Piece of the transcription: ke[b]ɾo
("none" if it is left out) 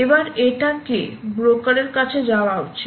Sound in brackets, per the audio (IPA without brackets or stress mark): b